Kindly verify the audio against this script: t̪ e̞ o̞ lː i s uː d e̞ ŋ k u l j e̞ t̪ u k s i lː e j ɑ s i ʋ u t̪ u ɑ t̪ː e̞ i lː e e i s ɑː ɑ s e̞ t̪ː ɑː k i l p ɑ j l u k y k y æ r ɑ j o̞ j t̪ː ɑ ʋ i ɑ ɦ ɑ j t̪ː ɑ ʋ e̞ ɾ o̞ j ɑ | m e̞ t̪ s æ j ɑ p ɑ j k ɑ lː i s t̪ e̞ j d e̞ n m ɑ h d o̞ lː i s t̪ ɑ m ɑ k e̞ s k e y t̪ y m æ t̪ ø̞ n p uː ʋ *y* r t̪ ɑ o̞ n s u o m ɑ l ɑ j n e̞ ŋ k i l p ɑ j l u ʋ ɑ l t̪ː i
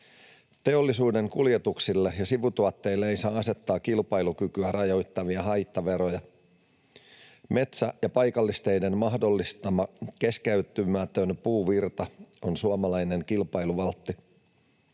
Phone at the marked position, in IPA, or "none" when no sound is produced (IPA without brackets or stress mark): i